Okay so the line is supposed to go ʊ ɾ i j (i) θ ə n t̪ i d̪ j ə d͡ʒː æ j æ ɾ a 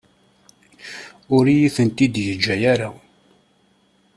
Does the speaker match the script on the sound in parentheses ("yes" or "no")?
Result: yes